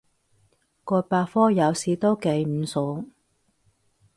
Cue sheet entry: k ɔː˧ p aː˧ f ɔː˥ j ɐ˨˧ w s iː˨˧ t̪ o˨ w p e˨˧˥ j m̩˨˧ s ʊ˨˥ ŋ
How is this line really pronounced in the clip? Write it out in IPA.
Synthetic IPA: k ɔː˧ p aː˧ f ɔː˥ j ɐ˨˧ w s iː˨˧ t̪ o˥ w k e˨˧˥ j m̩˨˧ s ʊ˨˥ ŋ

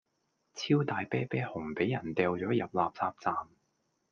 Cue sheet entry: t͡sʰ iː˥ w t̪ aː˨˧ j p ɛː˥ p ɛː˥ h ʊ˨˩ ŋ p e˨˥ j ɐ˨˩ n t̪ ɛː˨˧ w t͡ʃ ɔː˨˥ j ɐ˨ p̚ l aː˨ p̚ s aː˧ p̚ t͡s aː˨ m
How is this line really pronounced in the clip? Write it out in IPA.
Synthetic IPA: t͡sʰ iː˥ w t̪ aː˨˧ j p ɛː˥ p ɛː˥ h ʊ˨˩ ŋ p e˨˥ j ɐ˨˩ n t̪ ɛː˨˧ w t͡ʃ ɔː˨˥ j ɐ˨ p̚ l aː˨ p̚ t͡s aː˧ p̚ t͡s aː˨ m

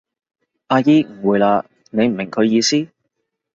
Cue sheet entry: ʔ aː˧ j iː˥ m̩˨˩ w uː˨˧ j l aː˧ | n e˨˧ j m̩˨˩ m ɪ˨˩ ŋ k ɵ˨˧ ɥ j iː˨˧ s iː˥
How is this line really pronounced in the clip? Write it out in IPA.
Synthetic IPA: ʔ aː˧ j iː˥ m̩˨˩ w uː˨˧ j l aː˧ | n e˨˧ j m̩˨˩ m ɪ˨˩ ŋ kʰ ɵ˨˧ ɥ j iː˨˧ s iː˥

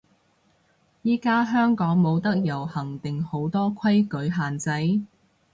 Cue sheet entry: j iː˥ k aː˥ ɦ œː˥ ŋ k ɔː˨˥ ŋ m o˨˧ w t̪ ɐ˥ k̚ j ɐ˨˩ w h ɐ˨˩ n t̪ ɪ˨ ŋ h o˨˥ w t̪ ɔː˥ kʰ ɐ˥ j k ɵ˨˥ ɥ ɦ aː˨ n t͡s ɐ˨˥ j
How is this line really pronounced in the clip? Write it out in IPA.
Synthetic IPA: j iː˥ k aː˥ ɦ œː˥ ŋ k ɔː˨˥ ŋ m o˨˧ w t̪ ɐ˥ k̚ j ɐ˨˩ w h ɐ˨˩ ŋ t̪ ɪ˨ ŋ h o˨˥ w t̪ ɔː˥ kʰ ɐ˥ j k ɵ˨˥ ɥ ɦ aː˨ n t͡s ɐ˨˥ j

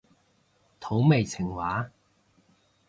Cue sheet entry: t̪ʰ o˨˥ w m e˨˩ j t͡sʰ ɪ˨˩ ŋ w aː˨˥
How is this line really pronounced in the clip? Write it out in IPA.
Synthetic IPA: t̪ʰ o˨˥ w m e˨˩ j t͡sʰ ɪ˨˩ ŋ w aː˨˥

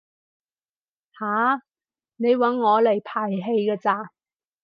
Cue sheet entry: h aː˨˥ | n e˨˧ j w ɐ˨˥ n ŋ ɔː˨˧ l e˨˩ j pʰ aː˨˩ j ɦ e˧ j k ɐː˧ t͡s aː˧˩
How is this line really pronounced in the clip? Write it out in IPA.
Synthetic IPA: h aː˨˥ | n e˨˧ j w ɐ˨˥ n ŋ ɔː˨˧ l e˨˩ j pʰ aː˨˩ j ɦ e˧ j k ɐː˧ t͡s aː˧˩

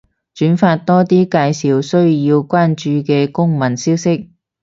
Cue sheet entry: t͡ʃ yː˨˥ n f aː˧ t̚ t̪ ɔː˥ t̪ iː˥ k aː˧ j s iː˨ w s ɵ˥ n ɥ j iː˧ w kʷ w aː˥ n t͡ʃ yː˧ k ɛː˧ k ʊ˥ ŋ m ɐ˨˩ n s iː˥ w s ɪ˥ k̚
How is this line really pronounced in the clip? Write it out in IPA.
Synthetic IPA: t͡ʃ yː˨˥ n f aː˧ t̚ t̪ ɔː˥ t̪ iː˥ k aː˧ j s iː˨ w s ɵ˥ ɥ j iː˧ w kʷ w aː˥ n t͡ʃ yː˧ k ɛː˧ k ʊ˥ ŋ m ɐ˨˩ n s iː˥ w s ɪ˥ k̚

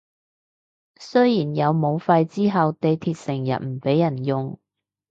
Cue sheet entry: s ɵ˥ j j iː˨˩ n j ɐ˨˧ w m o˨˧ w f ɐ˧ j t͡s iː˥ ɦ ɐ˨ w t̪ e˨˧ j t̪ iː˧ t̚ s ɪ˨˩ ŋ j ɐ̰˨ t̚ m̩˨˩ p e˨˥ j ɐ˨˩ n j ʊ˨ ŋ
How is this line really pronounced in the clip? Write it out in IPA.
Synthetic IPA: s ɵ˥ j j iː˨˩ n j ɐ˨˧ w m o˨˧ w f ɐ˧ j t͡s iː˥ ɦ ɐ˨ w t̪ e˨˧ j t̪ʰ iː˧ t̚ s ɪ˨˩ ŋ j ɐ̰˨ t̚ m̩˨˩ p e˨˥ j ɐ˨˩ n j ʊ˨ ŋ

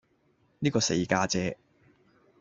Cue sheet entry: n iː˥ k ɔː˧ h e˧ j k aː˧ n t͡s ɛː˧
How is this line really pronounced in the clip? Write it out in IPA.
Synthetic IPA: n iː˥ k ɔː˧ s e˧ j k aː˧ t͡s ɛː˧

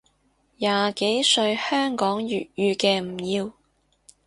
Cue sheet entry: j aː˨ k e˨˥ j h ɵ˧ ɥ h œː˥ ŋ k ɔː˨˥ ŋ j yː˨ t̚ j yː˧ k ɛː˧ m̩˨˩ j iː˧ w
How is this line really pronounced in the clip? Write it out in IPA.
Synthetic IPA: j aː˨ k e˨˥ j s ɵ˧ ɥ h œː˥ ŋ k ɔː˨˥ ŋ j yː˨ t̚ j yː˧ k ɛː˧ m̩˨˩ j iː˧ w

